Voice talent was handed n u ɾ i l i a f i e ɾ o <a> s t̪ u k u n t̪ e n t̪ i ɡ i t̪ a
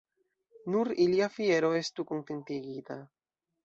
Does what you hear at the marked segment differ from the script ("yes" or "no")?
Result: yes